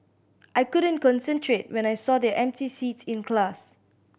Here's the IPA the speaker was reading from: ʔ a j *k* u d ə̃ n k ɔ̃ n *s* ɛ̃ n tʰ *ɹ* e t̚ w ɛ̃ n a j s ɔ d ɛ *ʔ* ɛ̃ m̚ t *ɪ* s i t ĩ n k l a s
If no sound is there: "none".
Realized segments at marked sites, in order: k, s, ɹ, ʔ, i

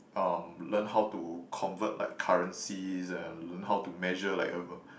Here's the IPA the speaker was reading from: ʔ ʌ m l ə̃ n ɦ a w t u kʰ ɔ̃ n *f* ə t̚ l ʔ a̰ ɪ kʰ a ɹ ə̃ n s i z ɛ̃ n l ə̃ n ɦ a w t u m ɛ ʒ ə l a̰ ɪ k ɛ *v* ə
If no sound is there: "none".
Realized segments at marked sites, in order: v, v

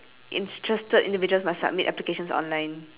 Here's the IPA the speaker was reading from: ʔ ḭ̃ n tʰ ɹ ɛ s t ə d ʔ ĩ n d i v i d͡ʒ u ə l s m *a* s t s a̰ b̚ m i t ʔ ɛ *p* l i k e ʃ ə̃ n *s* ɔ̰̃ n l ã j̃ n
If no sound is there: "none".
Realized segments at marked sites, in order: a, p, s

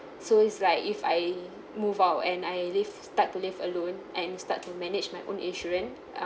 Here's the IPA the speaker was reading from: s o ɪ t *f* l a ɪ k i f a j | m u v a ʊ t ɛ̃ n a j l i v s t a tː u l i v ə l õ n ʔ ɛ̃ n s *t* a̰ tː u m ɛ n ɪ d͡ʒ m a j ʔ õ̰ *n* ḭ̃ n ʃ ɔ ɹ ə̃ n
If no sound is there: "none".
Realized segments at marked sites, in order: s, t, n

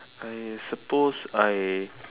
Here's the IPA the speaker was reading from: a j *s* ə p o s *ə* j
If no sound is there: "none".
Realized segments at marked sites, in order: s, a

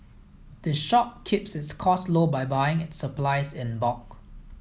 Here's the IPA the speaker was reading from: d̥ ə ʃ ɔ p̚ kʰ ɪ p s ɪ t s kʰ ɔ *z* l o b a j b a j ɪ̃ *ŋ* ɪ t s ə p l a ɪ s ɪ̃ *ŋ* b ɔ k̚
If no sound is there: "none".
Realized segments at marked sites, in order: s, ŋ, n

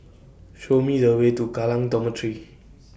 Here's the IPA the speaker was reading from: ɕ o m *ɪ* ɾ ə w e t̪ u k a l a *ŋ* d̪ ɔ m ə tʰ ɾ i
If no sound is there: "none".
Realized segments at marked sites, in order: i, ŋ

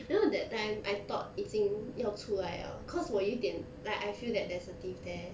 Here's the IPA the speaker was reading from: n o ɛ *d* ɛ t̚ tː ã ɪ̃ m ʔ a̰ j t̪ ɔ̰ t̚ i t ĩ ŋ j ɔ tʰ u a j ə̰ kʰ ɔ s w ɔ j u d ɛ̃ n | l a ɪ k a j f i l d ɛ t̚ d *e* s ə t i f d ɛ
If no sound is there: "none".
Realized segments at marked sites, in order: d, ɛ

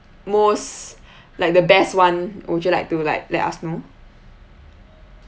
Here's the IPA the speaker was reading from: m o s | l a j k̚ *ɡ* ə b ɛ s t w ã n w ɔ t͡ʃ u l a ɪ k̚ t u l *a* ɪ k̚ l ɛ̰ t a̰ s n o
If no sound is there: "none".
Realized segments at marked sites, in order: d, a

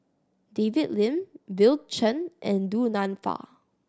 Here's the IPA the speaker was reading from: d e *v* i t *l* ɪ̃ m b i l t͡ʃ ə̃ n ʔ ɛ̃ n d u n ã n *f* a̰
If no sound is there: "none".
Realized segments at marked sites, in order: v, l, f

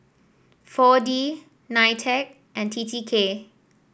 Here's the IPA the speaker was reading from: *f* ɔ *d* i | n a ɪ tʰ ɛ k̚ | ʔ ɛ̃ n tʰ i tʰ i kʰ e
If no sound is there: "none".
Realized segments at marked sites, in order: f, d

